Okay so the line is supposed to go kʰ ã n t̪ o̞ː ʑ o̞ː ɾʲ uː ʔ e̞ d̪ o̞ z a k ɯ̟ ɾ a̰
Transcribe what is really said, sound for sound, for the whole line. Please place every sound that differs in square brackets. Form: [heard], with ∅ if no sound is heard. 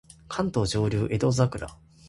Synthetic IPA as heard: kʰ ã n t̪ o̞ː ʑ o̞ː ɾʲ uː ʔ e̞ d̪ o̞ z a k ɯ̟ ɾ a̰

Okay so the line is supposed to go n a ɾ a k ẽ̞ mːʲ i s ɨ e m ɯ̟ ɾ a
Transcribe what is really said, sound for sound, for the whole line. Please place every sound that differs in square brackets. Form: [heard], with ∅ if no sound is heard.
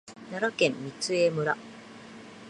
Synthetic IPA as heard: n a ɾ a k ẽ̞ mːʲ i [t͡s] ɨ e m ɯ̟ ɾ a

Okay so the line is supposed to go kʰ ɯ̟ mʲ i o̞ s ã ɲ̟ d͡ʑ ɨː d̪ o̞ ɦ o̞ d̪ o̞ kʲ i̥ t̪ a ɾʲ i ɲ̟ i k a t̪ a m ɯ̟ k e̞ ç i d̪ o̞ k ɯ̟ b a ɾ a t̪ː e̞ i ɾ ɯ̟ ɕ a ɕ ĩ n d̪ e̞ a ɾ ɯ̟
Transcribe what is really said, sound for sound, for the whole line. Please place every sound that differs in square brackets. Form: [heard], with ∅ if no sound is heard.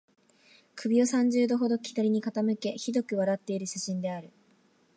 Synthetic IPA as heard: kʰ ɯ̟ [bʲ] i o̞ s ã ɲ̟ d͡ʑ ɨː d̪ o̞ ɦ o̞ d̪ o̞ kʲ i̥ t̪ a ɾʲ i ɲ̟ i k a t̪ a m ɯ̟ k e̞ ç i d̪ o̞ k ɯ̟ [β] a ɾ a t̪ː e̞ i ɾ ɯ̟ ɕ a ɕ ĩ n d̪ e̞ a ɾ ɯ̟

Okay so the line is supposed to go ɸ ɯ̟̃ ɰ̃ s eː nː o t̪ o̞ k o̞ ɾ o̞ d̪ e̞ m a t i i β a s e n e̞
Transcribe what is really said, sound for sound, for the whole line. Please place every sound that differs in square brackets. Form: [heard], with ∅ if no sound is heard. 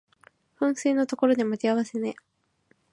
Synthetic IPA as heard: ɸ ɯ̟̃ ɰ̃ s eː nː o t̪ o̞ k o̞ ɾ o̞ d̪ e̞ m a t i [a] β a s e n e̞

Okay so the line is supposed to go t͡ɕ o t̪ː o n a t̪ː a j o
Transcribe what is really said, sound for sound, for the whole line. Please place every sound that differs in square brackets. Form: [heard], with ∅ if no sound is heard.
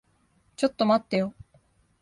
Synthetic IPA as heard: t͡ɕ o t̪ː o [m] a t̪ː [e] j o

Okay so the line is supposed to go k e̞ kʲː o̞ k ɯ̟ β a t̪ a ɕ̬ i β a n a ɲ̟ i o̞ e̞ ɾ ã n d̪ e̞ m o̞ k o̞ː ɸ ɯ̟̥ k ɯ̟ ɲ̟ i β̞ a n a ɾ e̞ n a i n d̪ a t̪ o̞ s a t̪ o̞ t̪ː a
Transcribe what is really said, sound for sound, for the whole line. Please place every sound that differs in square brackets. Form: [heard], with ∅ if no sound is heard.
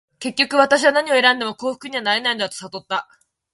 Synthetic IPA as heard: k e̞ kʲː o̞ k ɯ̟ β a t̪ a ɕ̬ i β a n a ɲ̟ i o̞ e̞ ɾ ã n d̪ e̞ m o̞ k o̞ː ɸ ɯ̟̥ k ɯ̟ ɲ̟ i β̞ a n a ɾ e̞ n a i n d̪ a t̪ o̞ s a t̪ o̞ t̪ː a

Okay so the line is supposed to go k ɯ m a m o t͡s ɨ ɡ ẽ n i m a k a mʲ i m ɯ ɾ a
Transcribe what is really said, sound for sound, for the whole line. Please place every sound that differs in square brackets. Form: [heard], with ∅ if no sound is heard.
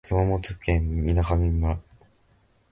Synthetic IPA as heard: k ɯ m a m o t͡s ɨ [k] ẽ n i [n] a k a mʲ i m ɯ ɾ a

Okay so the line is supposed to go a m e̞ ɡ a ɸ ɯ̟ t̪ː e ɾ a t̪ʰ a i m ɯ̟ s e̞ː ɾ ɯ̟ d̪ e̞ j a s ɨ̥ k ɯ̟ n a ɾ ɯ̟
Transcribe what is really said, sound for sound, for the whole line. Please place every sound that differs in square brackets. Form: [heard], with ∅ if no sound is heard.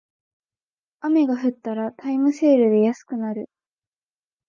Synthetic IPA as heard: a m e̞ ɡ a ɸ ɯ̟ t̪ː [a] ɾ a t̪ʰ a i m ɯ̟ s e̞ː ɾ ɯ̟ d̪ e̞ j a s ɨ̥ k ɯ̟ n a ɾ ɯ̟

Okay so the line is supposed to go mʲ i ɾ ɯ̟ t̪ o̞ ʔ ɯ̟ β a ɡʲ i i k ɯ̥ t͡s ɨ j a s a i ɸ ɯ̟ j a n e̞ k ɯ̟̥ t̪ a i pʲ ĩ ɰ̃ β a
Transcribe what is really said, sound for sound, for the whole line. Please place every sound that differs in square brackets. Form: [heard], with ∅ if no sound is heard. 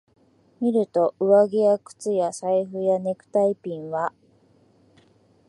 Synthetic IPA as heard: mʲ i ɾ ɯ̟ t̪ o̞ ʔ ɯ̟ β a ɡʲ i [a] k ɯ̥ t͡s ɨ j a s a i ɸ ɯ̟ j a n e̞ k ɯ̟̥ t̪ a i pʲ ĩ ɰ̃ β a

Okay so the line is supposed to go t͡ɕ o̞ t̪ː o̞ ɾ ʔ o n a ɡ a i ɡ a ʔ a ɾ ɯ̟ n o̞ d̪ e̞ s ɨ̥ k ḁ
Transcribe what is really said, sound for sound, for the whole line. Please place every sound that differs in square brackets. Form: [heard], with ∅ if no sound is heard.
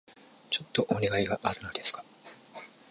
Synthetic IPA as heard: t͡ɕ o̞ t̪ː o̞ [∅] ʔ o n [e] ɡ a i ɡ a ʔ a ɾ ɯ̟ n o̞ d̪ e̞ s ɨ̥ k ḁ

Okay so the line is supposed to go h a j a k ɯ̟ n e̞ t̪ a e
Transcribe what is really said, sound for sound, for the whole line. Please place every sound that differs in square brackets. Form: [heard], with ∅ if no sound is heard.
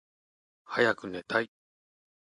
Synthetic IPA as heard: h a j a k ɯ̟ n e̞ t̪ a [i]

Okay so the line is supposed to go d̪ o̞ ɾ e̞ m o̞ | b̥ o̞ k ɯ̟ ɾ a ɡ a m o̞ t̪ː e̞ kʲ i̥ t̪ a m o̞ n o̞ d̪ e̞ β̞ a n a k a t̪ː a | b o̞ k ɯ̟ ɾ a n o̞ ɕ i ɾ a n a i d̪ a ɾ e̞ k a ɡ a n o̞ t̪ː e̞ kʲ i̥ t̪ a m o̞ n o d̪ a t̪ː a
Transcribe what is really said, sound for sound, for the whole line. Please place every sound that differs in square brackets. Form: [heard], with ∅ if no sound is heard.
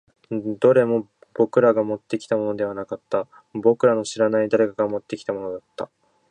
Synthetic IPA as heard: d̪ o̞ ɾ e̞ m o̞ | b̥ o̞ k ɯ̟ ɾ a ɡ a m o̞ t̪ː e̞ kʲ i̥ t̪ a m o̞ n o̞ d̪ e̞ β̞ a n a k a t̪ː a | b o̞ k ɯ̟ ɾ a n o̞ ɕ i ɾ a n a i d̪ a ɾ e̞ k a ɡ a [m] o̞ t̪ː e̞ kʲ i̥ t̪ a m o̞ n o d̪ a t̪ː a

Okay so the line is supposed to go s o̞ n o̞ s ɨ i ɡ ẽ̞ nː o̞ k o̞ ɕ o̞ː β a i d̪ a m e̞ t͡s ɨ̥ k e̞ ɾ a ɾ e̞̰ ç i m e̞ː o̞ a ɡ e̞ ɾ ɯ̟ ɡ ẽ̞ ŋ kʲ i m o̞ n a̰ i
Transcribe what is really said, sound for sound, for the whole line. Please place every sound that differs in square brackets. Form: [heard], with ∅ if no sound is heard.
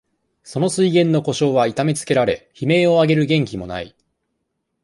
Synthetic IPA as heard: s o̞ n o̞ s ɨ i ɡ ẽ̞ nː o̞ k o̞ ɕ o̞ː β a i [t̪] a m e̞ t͡s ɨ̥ k e̞ ɾ a ɾ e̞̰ ç i m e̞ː o̞ a ɡ e̞ ɾ ɯ̟ ɡ ẽ̞ ŋ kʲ i m o̞ n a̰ i

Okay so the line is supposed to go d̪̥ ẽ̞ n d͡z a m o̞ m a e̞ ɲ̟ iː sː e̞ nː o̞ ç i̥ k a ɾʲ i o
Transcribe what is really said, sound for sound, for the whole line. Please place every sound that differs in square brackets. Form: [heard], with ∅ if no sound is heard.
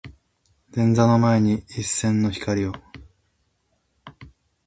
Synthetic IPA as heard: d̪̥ ẽ̞ n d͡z a [n] o̞ m a e̞ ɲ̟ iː sː [ẽ̞] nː o̞ ç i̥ k a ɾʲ i o

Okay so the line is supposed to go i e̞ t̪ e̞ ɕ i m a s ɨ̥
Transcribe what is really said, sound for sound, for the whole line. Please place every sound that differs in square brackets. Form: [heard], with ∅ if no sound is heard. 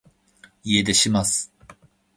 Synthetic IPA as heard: i e̞ [d̪] e̞ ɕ i m a s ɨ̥

